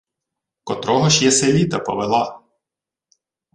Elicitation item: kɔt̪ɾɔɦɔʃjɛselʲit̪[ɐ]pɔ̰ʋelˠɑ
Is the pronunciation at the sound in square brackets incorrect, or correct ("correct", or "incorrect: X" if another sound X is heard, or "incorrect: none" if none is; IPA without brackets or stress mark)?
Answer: correct